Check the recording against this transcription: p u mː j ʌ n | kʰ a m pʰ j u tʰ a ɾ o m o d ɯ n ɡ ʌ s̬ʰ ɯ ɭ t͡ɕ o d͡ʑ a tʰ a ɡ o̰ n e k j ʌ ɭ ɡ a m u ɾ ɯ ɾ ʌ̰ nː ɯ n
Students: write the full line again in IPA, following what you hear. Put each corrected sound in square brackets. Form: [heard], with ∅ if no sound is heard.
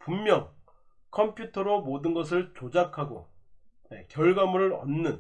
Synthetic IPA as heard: p u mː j ʌ [ŋ] | kʰ [ʌ] m pʰ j u tʰ [ʌ] ɾ o m o d ɯ n ɡ ʌ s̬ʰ ɯ ɭ t͡ɕ o d͡ʑ a [kʰ] a ɡ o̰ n e k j ʌ ɭ ɡ a m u ɾ ɯ ɾ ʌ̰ nː ɯ n